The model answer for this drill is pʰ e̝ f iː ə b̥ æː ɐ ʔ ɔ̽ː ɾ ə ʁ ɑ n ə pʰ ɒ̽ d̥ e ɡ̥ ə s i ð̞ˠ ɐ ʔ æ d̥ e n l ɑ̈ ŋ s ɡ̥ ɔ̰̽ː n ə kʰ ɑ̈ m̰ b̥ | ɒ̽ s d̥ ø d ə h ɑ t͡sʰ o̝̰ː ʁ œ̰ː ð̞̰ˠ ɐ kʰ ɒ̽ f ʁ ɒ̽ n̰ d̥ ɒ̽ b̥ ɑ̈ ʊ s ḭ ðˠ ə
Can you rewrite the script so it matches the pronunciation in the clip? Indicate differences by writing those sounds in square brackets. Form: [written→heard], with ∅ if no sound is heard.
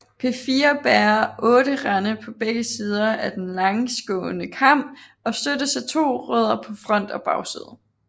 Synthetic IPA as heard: pʰ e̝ f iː [ə→ɐ] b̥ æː ɐ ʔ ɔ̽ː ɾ ə ʁ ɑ n ə pʰ ɒ̽ [d̥→b̥] e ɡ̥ ə s [i→iː] ð̞ˠ ɐ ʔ æ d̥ e n l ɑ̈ ŋ s ɡ̥ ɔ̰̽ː n ə kʰ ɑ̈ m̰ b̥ | ɒ̽ s d̥ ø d ə [h→s] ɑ t͡sʰ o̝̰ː ʁ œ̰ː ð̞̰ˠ ɐ [kʰ→pʰ] ɒ̽ f ʁ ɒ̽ n̰ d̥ ɒ̽ b̥ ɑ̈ ʊ s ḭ ðˠ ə

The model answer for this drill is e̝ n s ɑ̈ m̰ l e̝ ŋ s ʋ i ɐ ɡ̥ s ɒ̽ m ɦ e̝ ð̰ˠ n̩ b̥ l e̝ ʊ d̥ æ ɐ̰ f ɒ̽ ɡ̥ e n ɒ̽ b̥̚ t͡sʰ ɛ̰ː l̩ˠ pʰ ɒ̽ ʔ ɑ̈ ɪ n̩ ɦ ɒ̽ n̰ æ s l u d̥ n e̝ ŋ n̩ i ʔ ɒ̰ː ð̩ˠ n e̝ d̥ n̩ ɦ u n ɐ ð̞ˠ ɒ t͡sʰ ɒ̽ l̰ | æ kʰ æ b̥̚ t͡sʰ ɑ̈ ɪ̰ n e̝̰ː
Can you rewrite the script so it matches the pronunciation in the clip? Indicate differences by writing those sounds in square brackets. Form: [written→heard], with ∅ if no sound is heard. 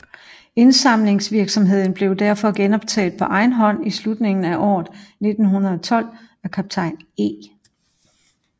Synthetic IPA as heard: e̝ n s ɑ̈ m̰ l e̝ ŋ s ʋ i ɐ ɡ̥ s ɒ̽ m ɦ e̝ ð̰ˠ n̩ b̥ l e̝ ʊ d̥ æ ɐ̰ f ɒ̽ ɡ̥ e n ɒ̽ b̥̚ t͡sʰ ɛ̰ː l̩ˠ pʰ ɒ̽ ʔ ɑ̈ ɪ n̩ ɦ ɒ̽ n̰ [æ→i] s l u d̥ n e̝ ŋ n̩ [i→æ] ʔ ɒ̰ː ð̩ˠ n e̝ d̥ n̩ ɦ u n ɐ ð̞ˠ ɒ t͡sʰ ɒ̽ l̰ | æ kʰ æ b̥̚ t͡sʰ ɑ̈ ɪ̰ n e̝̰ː

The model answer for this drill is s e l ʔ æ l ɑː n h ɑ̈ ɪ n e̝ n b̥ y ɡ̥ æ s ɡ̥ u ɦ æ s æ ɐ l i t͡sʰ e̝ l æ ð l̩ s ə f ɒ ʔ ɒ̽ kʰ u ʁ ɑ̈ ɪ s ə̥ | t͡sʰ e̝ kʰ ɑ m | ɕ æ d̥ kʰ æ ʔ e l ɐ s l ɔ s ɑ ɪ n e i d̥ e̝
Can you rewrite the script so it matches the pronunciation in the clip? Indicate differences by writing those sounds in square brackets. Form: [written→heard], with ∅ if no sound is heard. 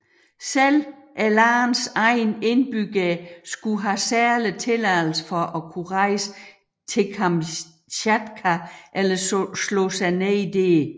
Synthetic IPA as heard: s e l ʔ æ l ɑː n [h→s] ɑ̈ ɪ n e̝ n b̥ y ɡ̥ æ s ɡ̥ u ɦ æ s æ ɐ l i t͡sʰ e̝ l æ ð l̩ s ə f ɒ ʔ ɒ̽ kʰ u ʁ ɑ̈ ɪ s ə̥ | t͡sʰ e̝ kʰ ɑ m | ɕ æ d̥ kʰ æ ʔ e l ɐ s l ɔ s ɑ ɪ n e i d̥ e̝

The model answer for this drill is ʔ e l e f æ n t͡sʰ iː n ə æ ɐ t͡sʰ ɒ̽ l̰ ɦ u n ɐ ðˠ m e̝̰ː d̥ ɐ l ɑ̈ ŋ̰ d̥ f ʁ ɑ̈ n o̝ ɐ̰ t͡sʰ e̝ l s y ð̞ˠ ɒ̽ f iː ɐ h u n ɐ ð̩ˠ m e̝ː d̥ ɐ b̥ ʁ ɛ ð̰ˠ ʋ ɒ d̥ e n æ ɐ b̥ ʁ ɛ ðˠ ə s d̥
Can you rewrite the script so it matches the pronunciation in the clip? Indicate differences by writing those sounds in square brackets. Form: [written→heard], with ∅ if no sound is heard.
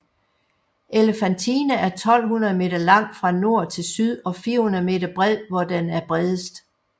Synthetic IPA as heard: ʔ e l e f æ n t͡sʰ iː n ə æ ɐ t͡sʰ ɒ̽ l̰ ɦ u n ɐ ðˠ m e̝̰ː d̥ ɐ l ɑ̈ ŋ̰ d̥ f ʁ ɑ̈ n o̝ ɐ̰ t͡sʰ e̝ l s y ð̞ˠ ɒ̽ f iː ɐ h u n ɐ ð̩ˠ m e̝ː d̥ ɐ b̥ ʁ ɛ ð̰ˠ ʋ ɒ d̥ e n æ ɐ b̥ ʁ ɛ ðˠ ə s d̥

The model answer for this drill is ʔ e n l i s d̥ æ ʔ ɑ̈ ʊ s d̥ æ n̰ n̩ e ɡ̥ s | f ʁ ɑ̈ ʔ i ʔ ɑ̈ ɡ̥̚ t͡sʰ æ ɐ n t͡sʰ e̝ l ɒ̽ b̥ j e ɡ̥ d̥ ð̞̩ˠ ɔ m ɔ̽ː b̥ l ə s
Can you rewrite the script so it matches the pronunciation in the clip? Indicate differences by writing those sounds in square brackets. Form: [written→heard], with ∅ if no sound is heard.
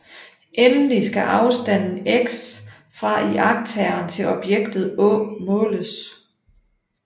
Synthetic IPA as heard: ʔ e n l i s [d̥→ɡ̥] æ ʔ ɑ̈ ʊ s d̥ æ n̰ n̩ e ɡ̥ s | f ʁ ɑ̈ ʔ i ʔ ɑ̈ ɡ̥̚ t͡sʰ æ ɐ n t͡sʰ e̝ l ɒ̽ b̥ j e ɡ̥ d̥ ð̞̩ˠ ɔ m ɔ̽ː [b̥→∅] l ə s

